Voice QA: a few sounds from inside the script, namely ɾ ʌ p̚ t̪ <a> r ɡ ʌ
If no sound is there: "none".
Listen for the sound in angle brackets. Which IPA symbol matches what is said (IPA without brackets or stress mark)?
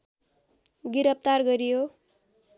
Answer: a